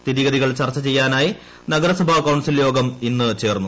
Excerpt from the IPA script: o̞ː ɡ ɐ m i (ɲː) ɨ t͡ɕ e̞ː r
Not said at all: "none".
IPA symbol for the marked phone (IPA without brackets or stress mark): nː